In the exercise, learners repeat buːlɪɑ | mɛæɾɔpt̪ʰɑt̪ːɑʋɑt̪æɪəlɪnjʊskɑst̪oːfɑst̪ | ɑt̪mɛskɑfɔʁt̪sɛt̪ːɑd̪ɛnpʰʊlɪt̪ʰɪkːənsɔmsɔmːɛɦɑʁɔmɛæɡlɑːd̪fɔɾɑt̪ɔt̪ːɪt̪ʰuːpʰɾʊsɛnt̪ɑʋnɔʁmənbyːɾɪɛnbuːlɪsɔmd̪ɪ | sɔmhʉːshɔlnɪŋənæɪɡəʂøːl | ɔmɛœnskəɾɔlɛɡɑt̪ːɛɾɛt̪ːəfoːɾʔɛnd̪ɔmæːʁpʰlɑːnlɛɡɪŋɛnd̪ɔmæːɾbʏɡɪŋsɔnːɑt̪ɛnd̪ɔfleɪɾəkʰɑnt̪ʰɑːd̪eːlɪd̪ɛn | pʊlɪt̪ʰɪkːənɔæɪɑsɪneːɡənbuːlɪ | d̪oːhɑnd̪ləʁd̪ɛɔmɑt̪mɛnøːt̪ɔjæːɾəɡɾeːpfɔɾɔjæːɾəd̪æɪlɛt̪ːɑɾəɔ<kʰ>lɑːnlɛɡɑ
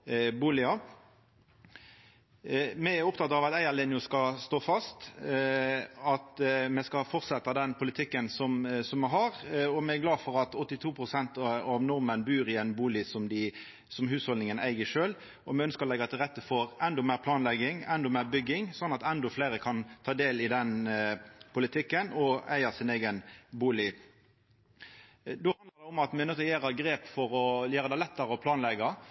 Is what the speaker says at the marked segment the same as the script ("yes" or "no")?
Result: no